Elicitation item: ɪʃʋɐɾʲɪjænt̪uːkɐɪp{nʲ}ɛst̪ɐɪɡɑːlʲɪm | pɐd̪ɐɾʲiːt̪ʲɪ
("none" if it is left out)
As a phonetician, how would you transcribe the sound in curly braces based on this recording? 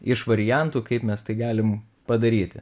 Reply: mʲ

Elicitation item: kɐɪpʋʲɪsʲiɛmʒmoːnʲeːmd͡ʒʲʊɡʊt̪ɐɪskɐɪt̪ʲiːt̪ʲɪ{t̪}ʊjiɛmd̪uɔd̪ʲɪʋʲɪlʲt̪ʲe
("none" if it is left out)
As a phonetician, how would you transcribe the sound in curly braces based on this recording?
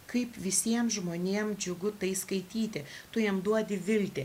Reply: t̪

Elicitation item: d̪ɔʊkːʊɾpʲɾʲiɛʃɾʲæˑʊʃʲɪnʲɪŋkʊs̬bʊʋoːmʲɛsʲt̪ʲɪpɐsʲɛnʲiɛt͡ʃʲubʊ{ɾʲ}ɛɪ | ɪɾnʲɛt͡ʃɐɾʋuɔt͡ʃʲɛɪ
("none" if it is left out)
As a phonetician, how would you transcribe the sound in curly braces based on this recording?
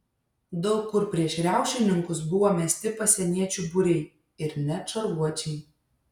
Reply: ɾʲ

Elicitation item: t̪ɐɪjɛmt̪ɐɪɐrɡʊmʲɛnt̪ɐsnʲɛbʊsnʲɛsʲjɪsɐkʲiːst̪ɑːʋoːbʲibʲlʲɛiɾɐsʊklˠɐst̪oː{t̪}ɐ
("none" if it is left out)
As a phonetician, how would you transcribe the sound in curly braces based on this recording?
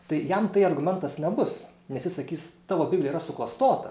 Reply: t̪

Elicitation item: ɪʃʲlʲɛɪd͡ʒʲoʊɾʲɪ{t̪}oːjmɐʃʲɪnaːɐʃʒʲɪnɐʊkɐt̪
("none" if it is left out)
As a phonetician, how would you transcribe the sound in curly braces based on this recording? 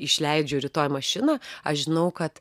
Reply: t̪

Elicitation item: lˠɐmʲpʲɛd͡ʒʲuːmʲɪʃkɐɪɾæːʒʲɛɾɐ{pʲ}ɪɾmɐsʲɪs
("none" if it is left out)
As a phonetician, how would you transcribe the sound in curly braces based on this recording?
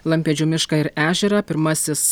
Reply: pʲ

